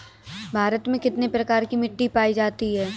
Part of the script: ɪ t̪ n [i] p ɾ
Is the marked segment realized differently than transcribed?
yes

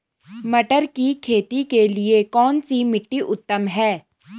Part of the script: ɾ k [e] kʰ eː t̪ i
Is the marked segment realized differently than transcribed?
yes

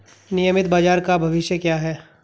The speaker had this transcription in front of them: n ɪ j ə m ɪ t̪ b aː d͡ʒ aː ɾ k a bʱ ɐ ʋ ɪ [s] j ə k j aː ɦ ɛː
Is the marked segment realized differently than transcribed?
yes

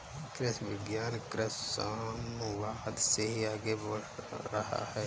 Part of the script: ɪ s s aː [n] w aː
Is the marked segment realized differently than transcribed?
yes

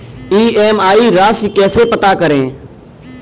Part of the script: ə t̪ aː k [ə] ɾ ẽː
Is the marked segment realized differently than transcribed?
no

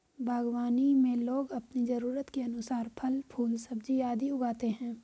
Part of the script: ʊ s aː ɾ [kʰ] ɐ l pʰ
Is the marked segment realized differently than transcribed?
yes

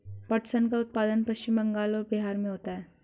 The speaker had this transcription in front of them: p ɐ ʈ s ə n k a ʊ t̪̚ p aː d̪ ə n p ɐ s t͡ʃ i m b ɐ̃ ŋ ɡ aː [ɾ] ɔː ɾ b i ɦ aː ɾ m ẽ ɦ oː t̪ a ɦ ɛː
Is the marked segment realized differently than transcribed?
yes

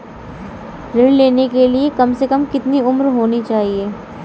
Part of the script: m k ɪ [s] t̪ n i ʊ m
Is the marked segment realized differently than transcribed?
yes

